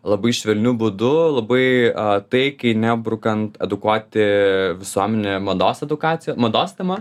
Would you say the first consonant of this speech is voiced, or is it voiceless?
voiced